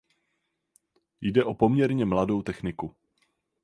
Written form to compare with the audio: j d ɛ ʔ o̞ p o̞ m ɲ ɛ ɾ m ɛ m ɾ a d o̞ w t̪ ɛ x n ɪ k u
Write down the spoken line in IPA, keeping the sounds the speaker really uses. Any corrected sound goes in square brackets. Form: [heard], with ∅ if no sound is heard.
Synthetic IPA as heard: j d ɛ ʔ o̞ p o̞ m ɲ ɛ ɾ [ɲ] ɛ m [l] a d o̞ w t̪ ɛ x n ɪ k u

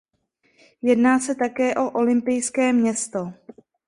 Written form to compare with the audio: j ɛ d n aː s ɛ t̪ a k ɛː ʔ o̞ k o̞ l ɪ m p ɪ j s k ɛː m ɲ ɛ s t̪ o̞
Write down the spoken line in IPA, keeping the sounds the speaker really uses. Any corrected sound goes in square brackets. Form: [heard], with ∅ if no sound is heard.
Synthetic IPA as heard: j ɛ d n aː s ɛ t̪ a k ɛː ʔ o̞ [ʔ] o̞ l ɪ m p ɪ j s k ɛː m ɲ ɛ s t̪ o̞

